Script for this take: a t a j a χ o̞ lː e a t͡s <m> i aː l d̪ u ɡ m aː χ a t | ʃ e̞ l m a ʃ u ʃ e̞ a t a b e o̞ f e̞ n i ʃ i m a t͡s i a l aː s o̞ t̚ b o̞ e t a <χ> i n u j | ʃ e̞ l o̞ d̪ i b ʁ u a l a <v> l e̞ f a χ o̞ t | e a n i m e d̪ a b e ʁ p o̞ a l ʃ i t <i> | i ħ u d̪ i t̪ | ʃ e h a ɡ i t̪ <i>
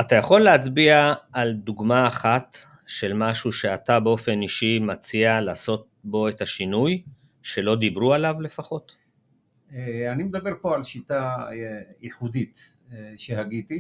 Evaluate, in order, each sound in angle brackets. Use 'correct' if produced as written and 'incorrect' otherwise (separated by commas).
incorrect, incorrect, correct, incorrect, correct